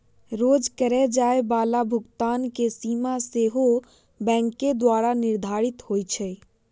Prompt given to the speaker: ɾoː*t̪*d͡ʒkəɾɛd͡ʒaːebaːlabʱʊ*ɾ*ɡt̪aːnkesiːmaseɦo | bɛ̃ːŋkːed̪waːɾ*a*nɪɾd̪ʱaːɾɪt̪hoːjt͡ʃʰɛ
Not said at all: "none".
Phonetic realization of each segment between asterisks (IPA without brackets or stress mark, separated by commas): none, none, a